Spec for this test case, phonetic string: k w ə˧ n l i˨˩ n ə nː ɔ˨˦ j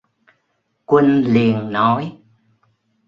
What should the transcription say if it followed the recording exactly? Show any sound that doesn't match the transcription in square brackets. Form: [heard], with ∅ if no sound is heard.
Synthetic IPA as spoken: k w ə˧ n l i˨˩ [∅] ə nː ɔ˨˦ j